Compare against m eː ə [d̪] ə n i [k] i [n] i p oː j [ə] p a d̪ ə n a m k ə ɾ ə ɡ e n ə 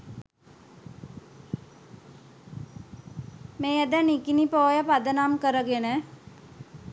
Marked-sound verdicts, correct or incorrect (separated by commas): correct, correct, correct, correct